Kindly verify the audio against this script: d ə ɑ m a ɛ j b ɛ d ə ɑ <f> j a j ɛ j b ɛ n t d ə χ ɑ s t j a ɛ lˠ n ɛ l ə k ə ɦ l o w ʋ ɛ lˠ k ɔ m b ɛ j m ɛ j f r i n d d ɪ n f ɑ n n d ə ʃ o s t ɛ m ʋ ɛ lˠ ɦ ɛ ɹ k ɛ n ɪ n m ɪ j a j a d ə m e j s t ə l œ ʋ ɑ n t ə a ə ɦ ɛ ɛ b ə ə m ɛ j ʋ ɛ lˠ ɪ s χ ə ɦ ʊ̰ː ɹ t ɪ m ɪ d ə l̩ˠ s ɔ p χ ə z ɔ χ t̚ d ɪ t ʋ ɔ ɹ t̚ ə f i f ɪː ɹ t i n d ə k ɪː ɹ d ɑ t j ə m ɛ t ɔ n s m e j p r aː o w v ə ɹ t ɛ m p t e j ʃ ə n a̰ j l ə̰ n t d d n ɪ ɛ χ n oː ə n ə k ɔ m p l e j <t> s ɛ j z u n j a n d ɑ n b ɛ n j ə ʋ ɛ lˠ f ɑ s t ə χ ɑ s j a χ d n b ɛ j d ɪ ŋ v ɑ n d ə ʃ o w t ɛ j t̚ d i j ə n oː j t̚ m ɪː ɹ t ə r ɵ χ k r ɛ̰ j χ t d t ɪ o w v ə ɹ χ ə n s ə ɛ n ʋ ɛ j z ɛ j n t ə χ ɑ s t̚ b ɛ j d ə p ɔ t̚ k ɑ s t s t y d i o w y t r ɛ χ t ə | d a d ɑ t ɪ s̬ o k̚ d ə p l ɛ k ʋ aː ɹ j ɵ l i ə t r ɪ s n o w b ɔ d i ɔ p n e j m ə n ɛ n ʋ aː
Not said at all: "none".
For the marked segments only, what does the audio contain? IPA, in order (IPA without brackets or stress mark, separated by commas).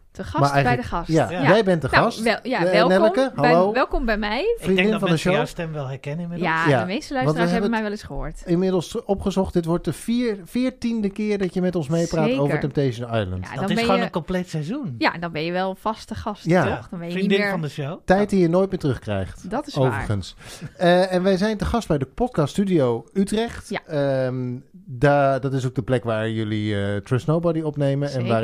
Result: s, t